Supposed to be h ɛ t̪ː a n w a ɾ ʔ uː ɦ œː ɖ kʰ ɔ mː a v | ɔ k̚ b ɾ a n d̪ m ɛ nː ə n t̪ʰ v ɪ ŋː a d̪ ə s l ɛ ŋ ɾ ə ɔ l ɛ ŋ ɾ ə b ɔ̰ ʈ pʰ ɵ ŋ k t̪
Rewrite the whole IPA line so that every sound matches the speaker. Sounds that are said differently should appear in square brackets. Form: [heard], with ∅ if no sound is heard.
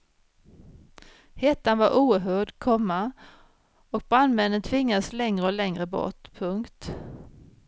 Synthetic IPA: h ɛ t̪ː a n [v] a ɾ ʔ uː ɦ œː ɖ kʰ ɔ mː a [∅] | ɔ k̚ b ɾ a n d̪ m ɛ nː ə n t̪ʰ v ɪ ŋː a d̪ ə s l ɛ ŋ ɾ ə ɔ l ɛ ŋ ɾ ə b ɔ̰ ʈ pʰ ɵ ŋ k t̪